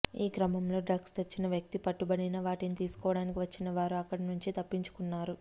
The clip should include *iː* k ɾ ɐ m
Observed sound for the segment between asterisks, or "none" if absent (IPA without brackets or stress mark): iː